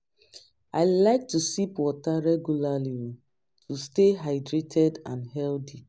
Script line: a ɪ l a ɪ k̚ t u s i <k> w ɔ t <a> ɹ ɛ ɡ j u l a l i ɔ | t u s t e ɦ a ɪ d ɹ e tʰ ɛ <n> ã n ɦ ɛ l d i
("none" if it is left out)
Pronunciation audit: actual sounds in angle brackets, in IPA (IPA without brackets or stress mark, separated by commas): p, a, d